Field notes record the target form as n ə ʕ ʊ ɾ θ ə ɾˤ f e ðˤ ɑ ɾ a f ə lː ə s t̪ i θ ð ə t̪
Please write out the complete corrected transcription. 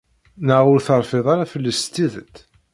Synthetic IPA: n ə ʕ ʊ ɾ θ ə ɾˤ f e ðˤ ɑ ɾ a f ə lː ə s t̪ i ð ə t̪